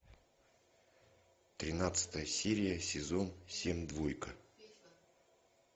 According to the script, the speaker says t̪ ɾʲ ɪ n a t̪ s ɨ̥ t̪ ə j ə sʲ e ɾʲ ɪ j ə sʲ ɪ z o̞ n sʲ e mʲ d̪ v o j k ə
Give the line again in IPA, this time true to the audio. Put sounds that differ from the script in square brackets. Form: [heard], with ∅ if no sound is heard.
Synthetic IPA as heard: t̪ ɾʲ ɪ n a t̪ s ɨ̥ t̪ ə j ə sʲ e ɾʲ ɪ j ə sʲ ɪ z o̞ n sʲ e mʲ d̪ v o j k ə